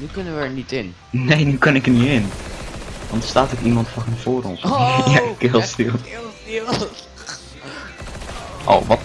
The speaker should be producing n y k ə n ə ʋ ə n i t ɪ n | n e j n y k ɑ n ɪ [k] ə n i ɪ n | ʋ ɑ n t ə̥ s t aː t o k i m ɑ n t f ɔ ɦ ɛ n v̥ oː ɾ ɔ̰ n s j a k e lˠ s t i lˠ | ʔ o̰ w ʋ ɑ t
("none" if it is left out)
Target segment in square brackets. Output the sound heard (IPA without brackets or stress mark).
k